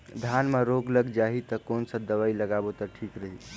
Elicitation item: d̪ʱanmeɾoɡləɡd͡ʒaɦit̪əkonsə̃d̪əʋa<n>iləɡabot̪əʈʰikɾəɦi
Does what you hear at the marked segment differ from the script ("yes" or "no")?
yes